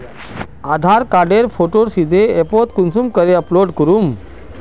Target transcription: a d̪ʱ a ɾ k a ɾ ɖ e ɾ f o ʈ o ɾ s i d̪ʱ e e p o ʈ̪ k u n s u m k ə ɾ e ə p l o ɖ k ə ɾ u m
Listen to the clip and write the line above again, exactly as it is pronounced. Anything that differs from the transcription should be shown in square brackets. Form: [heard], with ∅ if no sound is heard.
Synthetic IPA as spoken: a d̪ʱ a ɾ k a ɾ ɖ e ɾ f o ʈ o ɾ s i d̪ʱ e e p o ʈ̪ k u n s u m k ə ɾ e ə p l o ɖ k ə ɾ u m